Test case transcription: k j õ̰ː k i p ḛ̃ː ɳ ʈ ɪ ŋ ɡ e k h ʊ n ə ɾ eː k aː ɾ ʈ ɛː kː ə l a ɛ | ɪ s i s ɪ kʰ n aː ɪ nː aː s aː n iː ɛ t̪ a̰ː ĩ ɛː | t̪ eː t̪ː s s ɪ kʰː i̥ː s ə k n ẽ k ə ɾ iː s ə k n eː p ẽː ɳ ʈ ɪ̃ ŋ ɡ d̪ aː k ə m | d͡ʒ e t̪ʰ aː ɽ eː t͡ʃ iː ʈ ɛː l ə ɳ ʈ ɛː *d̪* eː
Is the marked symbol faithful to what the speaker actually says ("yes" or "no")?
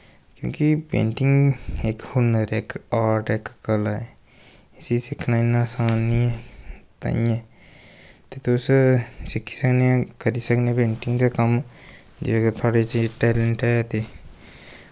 no